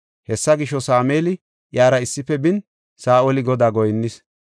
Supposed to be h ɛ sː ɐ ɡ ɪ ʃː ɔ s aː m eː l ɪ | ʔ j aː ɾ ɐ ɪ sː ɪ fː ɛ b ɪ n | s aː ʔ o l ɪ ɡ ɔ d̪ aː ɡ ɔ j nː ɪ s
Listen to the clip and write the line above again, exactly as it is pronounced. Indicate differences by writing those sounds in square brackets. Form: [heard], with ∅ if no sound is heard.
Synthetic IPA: h ɛ sː ɐ ɡ ɪ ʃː ɔ s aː m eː l ɪ | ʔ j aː ɾ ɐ ɪ sː ɪ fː ɛ b ɪ n | s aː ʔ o l ɪ ɡ ɔ d̪ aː ɡ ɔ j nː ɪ s